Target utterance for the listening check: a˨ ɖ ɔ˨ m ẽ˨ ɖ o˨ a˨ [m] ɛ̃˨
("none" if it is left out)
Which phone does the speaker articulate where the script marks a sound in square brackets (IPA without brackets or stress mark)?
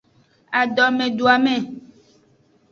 m